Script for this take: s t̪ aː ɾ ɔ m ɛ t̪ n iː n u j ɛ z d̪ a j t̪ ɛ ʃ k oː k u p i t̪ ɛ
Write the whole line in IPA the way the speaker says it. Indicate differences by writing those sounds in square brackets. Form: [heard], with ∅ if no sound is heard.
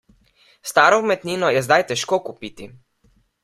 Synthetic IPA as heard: s t̪ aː ɾ ɔ m ɛ t̪ n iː n [ɔ] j ɛ z d̪ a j t̪ ɛ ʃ k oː k u p i t̪ [i]